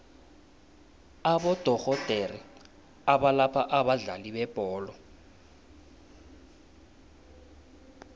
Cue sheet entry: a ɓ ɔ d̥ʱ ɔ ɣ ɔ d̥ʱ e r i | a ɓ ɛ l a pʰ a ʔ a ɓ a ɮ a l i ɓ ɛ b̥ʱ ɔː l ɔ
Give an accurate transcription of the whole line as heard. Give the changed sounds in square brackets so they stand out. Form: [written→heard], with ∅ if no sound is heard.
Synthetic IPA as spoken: a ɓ ɔ d̥ʱ ɔ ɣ ɔ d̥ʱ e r i | a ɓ [ɛ→a] l a pʰ a ʔ a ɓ a ɮ a l i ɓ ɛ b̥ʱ ɔː l ɔ